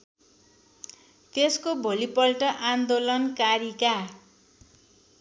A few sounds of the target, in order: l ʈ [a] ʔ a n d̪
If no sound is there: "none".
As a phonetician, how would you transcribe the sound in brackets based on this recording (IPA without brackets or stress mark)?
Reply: ʌ